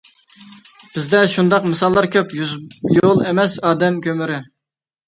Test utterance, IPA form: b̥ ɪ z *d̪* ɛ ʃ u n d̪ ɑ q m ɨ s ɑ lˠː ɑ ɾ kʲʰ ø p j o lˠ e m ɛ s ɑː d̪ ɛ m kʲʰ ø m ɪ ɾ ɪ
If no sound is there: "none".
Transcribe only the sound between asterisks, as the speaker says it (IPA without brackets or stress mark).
d̪